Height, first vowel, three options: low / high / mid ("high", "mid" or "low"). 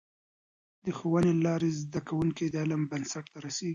mid